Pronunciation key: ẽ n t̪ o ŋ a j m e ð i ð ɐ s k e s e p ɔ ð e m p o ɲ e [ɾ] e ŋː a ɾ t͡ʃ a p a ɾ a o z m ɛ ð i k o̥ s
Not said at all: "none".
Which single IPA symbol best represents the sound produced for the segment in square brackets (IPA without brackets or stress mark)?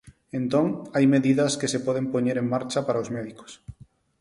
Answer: ɾ